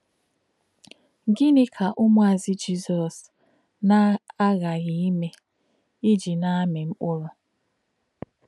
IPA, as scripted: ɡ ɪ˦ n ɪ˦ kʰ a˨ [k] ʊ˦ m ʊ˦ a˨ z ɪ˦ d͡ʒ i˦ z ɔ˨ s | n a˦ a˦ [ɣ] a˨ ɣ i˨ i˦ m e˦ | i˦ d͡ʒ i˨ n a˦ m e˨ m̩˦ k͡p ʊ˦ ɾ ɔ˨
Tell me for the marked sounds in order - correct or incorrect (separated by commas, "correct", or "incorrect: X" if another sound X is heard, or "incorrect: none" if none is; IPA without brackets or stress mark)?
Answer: incorrect: ʔ, correct